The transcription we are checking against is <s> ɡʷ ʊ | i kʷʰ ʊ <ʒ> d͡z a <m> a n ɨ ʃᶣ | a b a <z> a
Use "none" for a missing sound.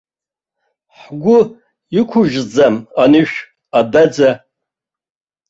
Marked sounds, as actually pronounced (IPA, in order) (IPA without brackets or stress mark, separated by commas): ħ, ʒ, m, d͡z